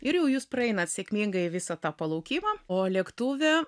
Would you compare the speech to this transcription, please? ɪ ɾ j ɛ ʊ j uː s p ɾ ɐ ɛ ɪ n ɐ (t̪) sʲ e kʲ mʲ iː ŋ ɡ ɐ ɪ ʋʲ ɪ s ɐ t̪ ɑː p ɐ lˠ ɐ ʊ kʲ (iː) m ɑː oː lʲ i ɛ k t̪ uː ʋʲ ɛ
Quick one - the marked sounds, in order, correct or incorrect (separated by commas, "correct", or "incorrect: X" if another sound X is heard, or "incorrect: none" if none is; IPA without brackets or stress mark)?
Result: correct, correct